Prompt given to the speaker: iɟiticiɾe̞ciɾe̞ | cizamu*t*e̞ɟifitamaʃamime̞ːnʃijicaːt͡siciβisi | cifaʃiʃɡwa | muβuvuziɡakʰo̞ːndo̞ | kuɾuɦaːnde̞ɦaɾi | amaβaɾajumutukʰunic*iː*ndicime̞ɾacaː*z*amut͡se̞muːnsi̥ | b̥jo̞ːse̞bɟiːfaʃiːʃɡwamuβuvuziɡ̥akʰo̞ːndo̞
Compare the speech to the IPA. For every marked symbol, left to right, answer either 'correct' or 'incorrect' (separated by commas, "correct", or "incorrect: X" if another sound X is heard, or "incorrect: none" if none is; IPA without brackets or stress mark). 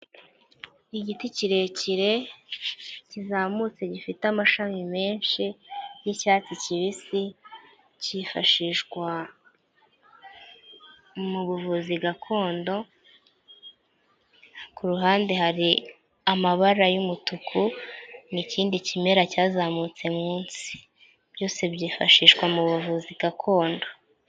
incorrect: t͡s, correct, correct